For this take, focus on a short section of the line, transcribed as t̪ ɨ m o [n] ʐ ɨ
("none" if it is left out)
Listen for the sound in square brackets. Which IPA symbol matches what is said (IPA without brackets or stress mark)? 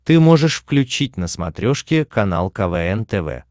none